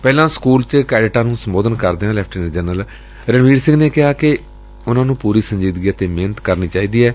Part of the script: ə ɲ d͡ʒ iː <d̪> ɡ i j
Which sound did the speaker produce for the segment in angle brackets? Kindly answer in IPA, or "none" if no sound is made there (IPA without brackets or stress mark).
d̪